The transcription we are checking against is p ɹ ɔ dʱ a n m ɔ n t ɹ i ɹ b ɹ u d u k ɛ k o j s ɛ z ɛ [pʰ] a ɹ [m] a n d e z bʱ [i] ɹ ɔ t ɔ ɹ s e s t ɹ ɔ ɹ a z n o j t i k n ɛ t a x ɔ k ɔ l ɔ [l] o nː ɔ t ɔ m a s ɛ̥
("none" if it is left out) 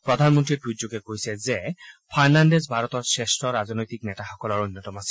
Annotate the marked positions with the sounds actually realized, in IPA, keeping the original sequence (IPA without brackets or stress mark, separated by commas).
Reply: pʰ, n, a, ɹ